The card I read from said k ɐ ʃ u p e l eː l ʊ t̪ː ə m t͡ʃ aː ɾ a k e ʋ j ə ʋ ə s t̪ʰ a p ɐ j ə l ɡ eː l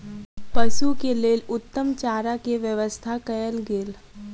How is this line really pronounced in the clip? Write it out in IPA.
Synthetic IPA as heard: p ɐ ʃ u k e l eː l ʊ t̪ː ə m t͡ʃ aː ɾ a k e ʋ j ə ʋ ə s t̪ʰ a k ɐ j ə l ɡ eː l